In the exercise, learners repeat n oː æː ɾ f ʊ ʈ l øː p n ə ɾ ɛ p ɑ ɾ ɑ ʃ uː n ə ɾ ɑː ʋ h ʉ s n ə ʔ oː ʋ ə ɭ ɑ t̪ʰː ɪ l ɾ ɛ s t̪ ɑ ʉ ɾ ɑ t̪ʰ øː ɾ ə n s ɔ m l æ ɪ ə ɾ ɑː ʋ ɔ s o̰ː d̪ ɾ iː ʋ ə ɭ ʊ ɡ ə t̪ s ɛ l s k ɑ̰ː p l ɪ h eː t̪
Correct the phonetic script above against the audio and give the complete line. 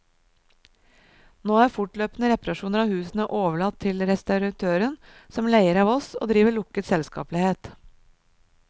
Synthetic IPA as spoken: n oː æː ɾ f ʊ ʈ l øː p n ə ɾ ɛ p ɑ ɾ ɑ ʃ uː n ə ɾ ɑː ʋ h ʉː s n ə ʔ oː ʋ ə ɭ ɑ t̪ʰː ɪ l ɾ ɛ s t̪ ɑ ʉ ɾ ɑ t̪ʰ øː ɾ ə n s ɔ m l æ ɪ ə ɾ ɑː ʋ ɔ s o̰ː d̪ ɾ iː ʋ ə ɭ ʊ k ə t̪ s ɛ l s k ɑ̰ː p l ɪ h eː t̪